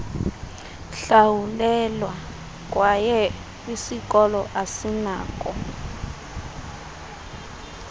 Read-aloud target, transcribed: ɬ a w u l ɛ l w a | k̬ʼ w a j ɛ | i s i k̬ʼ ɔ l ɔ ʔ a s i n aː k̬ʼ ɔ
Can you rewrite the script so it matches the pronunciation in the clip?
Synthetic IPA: ɬ a w u l ɛ l w a | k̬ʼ w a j ɛ | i s i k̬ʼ ɔ l ɔ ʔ a s i n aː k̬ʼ ɔ